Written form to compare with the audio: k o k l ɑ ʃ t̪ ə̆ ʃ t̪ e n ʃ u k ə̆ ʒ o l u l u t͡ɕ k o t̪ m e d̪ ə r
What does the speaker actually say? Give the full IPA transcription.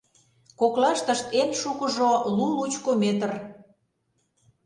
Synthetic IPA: k o k l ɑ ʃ t̪ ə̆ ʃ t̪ e n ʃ u k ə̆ ʒ o l u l u t͡ɕ k o m e t̪ ə r